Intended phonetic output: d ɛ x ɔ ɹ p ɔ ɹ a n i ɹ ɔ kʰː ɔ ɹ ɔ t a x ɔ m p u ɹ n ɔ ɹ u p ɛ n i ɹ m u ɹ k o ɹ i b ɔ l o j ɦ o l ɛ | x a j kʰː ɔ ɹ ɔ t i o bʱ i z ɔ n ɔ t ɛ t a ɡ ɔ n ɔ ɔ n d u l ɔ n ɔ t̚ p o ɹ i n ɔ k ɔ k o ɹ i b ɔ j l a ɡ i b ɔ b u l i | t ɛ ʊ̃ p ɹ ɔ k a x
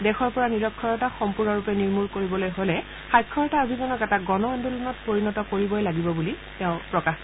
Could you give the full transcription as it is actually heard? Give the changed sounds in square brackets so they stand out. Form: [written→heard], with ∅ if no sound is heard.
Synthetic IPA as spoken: d ɛ x ɔ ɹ p ɔ ɹ a n i ɹ ɔ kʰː ɔ ɹ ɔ t a x ɔ m p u ɹ n ɔ ɹ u p ɛ n i ɹ m u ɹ k o ɹ i b ɔ l o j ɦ o l ɛ | x a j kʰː ɔ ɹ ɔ t [i→a] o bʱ i z ɔ n ɔ [t→k] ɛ t a ɡ ɔ n ɔ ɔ n d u l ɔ n ɔ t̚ p o ɹ i n ɔ [k→t] ɔ k o ɹ i b ɔ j l a ɡ i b ɔ b u l i | t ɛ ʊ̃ p ɹ ɔ k a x